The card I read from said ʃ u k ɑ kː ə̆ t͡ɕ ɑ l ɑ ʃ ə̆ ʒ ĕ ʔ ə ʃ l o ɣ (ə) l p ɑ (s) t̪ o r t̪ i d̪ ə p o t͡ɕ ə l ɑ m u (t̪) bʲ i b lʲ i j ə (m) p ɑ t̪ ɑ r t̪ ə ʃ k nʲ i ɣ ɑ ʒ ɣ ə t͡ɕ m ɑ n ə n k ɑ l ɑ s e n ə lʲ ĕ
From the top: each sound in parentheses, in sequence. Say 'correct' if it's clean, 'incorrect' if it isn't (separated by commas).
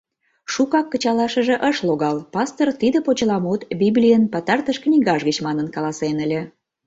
incorrect, correct, correct, incorrect